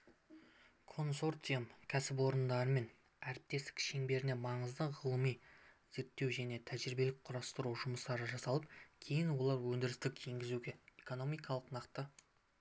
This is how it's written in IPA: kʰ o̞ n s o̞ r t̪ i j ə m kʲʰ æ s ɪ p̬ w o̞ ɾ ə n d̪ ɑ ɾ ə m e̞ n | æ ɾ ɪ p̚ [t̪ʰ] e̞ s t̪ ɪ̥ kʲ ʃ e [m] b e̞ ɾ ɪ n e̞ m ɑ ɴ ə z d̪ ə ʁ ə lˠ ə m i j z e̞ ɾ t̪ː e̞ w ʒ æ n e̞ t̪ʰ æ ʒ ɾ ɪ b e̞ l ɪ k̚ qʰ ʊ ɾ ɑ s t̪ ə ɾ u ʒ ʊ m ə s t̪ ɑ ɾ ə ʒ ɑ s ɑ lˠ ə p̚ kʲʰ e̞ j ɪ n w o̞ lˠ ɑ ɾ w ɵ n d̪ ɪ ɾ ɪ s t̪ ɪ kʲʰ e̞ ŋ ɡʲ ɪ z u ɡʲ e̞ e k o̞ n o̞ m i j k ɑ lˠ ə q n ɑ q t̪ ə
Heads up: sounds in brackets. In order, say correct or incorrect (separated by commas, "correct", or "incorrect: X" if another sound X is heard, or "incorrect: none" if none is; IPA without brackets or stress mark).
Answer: incorrect: t̪, incorrect: ŋ